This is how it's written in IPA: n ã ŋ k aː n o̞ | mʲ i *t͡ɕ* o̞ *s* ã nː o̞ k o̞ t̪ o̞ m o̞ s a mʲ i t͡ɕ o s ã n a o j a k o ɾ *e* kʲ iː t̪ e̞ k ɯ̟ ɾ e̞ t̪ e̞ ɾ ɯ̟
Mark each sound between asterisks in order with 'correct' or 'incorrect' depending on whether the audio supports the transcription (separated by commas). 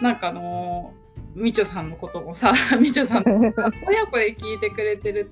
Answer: correct, correct, correct